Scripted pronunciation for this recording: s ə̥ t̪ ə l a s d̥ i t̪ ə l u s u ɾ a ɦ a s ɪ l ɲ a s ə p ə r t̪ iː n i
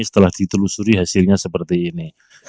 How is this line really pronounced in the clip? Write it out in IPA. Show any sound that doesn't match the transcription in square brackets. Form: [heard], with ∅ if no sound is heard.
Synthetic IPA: s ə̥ t̪ ə l a [h] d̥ i t̪ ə l u s u ɾ [i] ɦ a s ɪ l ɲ a s ə p ə r t̪ iː n i